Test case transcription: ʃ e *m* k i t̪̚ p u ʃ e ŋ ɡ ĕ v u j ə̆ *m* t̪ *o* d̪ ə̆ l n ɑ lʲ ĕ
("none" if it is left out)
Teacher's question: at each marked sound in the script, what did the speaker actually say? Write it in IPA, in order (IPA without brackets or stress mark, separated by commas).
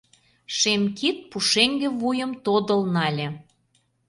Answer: m, m, o